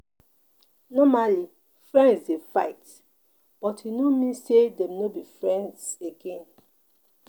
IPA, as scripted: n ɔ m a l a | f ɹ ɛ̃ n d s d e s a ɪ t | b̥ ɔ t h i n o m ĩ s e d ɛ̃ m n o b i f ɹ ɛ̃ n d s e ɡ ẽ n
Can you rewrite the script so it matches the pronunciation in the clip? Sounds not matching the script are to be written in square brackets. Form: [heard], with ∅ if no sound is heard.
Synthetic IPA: n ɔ m a l [i] | f ɹ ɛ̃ n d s d e [f] a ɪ t | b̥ ɔ t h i n o m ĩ s e d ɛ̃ m n o b i f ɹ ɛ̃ n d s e ɡ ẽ n